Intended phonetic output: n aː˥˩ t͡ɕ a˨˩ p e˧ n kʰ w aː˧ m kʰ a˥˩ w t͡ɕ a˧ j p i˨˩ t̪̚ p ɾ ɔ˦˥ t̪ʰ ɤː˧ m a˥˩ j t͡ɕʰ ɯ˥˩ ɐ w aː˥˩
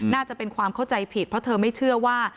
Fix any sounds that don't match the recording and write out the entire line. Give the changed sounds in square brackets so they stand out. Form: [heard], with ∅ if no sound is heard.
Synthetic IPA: n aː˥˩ t͡ɕ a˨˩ p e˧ n kʰ w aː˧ m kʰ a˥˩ w t͡ɕ a˧ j [pʰ] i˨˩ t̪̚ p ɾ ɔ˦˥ t̪ʰ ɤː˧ m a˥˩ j t͡ɕʰ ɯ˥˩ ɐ w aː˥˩